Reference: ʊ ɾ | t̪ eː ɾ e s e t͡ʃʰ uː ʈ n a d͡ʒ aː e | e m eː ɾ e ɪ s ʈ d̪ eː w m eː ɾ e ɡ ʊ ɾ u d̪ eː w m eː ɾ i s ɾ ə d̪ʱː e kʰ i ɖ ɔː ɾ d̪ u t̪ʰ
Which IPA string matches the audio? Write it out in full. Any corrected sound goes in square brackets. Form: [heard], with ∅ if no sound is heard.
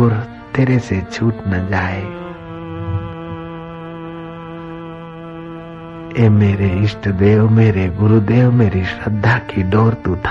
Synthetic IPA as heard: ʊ ɾ | t̪ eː ɾ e s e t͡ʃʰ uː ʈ n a d͡ʒ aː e | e m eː ɾ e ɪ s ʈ d̪ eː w m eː ɾ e ɡ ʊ ɾ u d̪ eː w m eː ɾ i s ɾ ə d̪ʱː [a] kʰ i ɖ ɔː ɾ [t̪] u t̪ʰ